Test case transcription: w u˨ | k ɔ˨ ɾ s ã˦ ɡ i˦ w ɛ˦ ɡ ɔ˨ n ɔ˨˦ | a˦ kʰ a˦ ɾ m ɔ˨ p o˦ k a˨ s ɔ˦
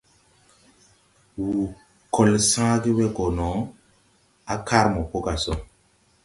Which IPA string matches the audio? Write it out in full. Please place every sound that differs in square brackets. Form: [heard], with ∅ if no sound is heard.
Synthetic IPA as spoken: w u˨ | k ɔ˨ [l] s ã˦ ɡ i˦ w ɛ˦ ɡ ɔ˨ n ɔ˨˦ | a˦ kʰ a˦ ɾ m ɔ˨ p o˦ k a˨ s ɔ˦